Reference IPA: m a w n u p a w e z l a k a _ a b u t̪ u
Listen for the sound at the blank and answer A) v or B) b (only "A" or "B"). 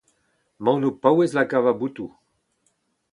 A